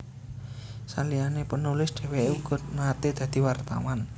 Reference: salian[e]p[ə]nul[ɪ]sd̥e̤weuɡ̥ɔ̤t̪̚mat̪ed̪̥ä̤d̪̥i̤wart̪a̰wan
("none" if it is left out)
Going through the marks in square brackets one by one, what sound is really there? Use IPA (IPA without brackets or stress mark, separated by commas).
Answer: e, ə, ɪ